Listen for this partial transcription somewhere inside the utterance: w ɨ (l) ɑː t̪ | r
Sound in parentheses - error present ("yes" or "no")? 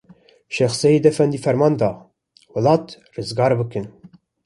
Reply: no